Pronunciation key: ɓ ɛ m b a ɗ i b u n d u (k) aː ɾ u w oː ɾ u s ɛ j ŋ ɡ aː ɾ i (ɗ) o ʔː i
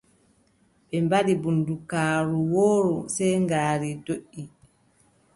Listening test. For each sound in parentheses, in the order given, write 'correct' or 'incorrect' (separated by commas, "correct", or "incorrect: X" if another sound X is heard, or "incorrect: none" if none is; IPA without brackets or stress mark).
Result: correct, incorrect: d